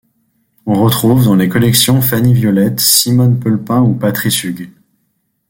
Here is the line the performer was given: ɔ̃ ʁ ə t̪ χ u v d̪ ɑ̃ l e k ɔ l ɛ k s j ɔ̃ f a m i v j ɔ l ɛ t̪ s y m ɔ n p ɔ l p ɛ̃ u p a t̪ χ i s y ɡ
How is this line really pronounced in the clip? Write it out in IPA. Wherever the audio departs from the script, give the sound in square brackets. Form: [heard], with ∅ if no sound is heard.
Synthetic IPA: ɔ̃ ʁ ə t̪ χ u v d̪ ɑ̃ l e k ɔ l ɛ k s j ɔ̃ f a [n] i v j ɔ l ɛ t̪ s [i] m ɔ n p ɔ l p ɛ̃ u p a t̪ χ i s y ɡ